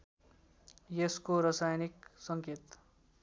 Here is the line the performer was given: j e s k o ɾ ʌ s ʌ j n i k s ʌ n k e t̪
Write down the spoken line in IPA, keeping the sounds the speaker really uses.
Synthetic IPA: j e s k o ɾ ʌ s a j n i k s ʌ ŋ k e t̪